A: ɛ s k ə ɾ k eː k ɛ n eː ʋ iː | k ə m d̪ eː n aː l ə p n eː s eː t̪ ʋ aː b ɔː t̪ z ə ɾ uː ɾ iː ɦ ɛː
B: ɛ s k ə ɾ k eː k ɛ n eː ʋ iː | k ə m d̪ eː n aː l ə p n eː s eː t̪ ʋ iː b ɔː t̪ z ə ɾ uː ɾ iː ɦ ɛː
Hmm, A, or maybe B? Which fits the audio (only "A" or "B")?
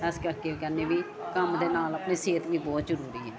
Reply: B